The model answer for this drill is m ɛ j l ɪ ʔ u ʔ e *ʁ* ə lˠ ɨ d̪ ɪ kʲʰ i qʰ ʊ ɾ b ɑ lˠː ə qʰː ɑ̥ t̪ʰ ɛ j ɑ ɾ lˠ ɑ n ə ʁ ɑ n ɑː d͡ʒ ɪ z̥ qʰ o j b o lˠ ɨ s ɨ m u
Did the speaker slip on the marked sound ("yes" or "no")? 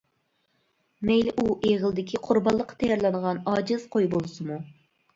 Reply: no